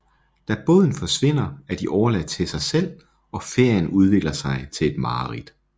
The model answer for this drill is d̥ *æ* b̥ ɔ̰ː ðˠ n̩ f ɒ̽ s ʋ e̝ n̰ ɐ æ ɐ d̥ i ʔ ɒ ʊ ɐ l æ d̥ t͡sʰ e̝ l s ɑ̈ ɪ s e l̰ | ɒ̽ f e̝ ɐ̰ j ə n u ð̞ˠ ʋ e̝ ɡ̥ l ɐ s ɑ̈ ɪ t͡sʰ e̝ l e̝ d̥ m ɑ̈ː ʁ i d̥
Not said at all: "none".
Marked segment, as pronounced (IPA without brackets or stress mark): æ